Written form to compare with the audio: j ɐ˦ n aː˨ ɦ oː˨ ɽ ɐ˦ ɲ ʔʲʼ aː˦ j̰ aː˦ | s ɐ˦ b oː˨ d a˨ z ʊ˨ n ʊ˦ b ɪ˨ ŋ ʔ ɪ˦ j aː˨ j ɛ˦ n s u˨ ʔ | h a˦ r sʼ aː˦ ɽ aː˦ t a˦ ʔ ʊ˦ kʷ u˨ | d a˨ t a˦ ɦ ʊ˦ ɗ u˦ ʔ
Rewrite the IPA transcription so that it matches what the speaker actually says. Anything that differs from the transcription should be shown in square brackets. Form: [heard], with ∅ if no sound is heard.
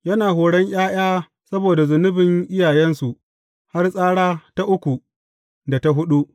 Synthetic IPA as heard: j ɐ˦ n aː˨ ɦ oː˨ ɽ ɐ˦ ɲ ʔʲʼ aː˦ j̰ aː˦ | s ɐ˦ b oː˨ d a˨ z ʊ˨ n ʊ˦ b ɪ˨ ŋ ʔ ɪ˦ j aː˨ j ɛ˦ n s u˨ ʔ | h a˦ r sʼ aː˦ ɽ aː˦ t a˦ ʔ ʊ˦ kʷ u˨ | d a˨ t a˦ ɦ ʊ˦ ɗ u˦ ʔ